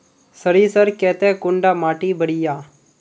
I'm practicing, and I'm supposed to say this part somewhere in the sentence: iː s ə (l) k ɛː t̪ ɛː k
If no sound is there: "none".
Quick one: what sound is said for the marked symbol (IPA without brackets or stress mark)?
ɾ